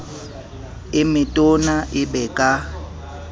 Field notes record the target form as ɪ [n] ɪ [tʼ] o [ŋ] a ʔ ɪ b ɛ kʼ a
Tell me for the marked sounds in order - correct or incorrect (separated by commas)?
incorrect, correct, incorrect